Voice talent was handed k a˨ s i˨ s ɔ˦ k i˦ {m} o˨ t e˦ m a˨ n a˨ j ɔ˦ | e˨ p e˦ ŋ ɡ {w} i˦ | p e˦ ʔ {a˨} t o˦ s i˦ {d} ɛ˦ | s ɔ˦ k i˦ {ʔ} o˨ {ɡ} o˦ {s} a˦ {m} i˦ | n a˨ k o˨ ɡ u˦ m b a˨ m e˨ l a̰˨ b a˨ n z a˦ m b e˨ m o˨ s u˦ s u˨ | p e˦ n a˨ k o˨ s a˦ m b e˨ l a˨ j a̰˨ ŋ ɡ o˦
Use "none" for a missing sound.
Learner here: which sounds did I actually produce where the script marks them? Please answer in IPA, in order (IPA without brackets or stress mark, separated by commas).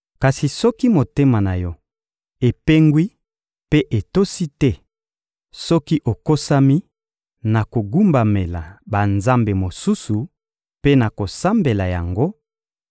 m, w, e˨, t, ʔ, k, s, m